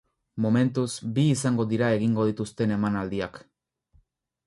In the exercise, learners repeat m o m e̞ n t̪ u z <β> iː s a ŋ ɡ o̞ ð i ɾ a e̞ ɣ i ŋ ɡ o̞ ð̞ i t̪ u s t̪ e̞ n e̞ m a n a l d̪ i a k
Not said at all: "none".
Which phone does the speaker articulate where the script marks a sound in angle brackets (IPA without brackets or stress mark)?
b